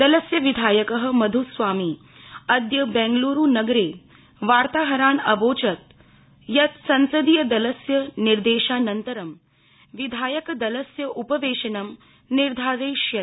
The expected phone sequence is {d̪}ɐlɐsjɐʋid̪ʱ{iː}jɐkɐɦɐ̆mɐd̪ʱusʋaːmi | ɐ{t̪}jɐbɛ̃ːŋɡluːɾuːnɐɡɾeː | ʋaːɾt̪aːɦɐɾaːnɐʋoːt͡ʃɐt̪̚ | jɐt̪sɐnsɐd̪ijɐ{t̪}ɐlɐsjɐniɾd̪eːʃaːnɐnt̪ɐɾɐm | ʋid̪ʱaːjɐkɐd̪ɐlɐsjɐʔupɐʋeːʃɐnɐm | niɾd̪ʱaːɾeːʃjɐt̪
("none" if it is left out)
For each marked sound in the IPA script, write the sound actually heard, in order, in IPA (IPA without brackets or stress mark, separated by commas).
d̪, aː, d̪, d̪